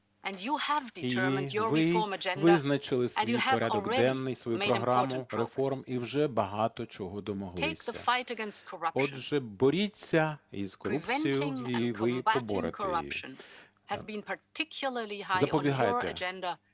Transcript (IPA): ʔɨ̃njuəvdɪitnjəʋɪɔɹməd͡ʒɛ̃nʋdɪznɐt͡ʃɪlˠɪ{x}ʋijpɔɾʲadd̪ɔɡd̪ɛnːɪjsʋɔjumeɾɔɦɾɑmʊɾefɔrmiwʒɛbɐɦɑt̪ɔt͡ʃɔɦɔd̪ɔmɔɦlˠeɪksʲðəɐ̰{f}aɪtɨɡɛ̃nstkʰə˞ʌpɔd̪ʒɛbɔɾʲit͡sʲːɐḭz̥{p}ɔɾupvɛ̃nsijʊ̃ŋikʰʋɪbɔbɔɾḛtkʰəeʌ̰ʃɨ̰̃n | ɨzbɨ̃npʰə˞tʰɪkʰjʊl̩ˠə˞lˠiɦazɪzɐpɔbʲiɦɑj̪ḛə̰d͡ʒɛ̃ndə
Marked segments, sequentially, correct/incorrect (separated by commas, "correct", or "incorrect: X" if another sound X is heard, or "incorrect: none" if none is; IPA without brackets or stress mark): incorrect: s, correct, incorrect: k